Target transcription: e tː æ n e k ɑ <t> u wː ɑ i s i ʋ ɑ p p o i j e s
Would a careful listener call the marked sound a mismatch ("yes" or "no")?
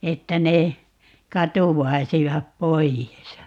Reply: no